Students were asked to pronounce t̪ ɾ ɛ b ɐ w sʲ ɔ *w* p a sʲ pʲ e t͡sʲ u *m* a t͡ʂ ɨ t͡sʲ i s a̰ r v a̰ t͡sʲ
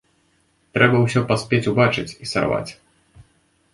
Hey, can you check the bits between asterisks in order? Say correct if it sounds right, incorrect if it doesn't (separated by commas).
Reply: incorrect, incorrect